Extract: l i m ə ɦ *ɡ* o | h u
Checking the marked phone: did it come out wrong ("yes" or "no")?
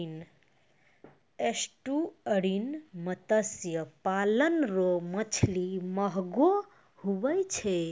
no